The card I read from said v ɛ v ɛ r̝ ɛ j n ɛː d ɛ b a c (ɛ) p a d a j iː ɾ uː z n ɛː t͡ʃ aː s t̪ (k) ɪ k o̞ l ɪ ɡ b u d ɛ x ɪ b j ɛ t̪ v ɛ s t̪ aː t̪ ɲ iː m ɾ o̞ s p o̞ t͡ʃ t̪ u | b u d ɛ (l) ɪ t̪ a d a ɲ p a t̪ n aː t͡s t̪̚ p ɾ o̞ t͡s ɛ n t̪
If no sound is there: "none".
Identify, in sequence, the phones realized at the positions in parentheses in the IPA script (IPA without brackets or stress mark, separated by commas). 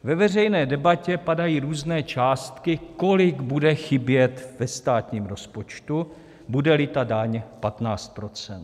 ɛ, k, l